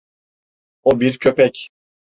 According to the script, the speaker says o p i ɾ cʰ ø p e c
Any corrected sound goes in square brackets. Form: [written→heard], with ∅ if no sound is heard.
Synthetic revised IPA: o [p→b] i ɾ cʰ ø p [e→ɛ] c